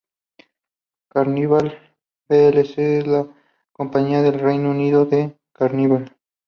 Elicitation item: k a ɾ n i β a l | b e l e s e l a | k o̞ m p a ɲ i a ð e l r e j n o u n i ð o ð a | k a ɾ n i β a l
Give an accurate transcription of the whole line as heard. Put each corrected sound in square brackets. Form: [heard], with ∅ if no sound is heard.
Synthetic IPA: k a ɾ n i β a l | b e l e s e l a | k o̞ m p a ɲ i a ð e l r e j n o u n i ð o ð [e] | k a ɾ n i β a l